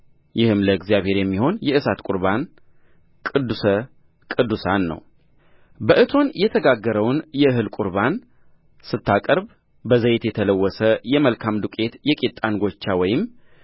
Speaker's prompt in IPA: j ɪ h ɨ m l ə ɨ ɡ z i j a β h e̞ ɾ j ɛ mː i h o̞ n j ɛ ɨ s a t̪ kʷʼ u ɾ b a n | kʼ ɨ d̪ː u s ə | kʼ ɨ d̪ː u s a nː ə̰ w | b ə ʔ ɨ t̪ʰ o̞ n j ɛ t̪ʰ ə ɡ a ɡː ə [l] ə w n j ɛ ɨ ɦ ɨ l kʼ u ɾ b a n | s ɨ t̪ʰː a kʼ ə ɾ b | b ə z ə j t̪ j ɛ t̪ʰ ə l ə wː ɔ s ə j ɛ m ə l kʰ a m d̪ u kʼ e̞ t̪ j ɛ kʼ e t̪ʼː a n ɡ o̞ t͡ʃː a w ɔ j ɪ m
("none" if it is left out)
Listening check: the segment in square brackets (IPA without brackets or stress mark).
ɾ